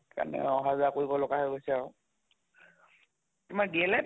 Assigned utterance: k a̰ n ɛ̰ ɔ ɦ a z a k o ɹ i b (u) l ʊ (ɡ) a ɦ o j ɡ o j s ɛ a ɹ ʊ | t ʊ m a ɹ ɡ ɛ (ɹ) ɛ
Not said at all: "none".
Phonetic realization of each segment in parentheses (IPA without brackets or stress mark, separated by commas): ɔ, ɡ, l